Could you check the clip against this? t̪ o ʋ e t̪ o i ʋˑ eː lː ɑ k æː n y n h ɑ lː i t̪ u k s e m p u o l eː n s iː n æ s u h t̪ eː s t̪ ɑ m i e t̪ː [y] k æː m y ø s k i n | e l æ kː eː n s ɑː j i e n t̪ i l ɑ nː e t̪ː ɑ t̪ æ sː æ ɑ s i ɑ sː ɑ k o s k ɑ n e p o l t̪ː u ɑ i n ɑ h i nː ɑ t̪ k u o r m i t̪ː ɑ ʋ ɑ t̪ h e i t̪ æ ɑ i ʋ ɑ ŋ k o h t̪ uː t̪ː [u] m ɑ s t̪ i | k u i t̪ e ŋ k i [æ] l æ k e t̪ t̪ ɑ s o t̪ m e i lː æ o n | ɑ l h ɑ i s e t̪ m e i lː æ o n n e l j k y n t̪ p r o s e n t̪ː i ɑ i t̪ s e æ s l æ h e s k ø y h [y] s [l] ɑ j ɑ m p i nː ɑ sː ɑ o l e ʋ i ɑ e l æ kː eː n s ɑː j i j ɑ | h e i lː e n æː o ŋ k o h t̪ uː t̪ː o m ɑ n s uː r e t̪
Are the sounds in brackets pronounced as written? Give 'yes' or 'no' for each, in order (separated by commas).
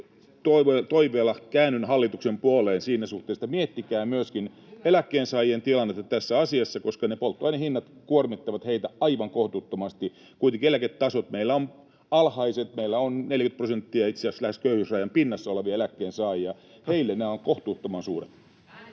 no, no, no, yes, no